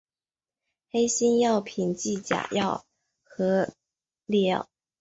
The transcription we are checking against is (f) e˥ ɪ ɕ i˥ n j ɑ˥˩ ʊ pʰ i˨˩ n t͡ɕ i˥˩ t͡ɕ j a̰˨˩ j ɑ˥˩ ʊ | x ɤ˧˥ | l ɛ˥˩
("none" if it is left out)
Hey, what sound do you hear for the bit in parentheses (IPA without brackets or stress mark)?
x